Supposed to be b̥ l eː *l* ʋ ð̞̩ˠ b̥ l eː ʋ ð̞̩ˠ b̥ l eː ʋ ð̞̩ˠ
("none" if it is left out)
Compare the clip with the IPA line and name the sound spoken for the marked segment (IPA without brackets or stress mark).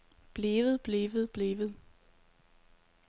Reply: none